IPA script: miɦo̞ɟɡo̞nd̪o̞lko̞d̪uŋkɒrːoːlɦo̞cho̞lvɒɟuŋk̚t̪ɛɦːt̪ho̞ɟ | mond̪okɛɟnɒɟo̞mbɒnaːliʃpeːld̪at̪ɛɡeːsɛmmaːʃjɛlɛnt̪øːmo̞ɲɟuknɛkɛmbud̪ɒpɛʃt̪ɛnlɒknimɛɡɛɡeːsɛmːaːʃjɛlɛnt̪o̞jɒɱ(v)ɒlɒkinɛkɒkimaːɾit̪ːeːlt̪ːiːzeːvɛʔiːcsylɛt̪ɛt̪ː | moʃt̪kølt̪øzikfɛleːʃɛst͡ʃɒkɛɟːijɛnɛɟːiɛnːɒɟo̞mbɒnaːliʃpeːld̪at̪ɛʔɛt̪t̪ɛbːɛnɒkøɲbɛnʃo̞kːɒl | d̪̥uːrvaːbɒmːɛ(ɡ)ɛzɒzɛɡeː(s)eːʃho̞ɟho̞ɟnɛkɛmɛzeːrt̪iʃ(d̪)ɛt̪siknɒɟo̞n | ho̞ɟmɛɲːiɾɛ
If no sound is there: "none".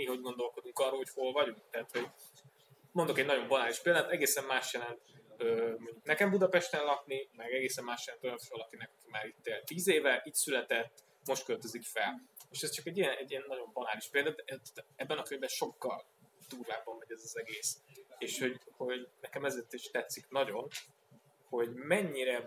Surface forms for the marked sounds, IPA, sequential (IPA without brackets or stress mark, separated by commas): f, ɟ, s, t̪